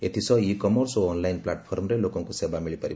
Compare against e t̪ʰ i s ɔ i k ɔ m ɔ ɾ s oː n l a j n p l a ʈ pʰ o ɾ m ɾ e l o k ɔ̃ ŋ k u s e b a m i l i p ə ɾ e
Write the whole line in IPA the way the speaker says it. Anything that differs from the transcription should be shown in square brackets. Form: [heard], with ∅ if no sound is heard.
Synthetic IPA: e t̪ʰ i s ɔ i k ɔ m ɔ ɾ s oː n l a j n p l a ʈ pʰ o ɾ m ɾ e l o k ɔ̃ ŋ k u s e b a m i [ɭ] i p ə ɾ [i]